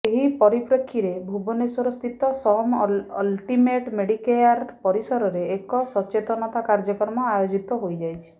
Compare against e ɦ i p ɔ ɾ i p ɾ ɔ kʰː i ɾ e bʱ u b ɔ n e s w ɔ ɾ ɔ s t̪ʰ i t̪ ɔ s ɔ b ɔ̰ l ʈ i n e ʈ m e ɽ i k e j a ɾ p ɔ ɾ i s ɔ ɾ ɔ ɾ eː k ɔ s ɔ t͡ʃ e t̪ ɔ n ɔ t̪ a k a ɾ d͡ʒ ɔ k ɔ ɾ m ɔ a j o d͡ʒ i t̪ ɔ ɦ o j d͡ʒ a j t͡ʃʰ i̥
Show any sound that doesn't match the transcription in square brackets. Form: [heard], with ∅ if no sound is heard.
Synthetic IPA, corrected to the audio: e ɦ i p ɔ ɾ i p ɾ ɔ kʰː i ɾ e bʱ u b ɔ n e s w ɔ ɾ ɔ s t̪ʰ i t̪ ɔ s ɔ [m] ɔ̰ l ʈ i [m] e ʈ m e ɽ i k e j a ɾ p ɔ ɾ i s ɔ ɾ ɔ ɾ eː k ɔ s ɔ t͡ʃ e t̪ ɔ n ɔ t̪ a k a ɾ d͡ʒ ɔ k ɔ ɾ m ɔ a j o d͡ʒ i t̪ ɔ ɦ o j d͡ʒ a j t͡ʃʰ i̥